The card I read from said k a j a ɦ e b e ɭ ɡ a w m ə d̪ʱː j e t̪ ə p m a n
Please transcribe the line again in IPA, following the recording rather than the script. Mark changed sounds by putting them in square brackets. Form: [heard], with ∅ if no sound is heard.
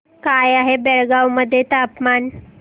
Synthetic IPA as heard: k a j a ɦ e b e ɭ ɡ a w m ə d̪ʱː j e t̪ [a] p m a n